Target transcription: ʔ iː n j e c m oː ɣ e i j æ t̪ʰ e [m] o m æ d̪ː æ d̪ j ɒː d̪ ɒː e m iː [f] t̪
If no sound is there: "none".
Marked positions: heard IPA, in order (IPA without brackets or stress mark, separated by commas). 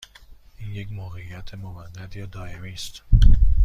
m, s